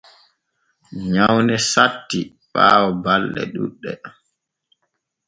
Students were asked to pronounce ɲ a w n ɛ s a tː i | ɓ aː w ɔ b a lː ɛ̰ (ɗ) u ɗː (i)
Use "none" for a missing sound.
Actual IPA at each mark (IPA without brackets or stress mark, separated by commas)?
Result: ɗ, ɛ